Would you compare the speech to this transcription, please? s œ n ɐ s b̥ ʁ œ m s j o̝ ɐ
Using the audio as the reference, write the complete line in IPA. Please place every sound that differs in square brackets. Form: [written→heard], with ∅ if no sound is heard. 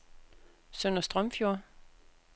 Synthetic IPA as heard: s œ n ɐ s [b̥→d̥] ʁ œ m [s→f] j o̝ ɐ